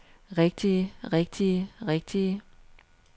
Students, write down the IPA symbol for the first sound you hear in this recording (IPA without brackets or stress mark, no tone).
ʁ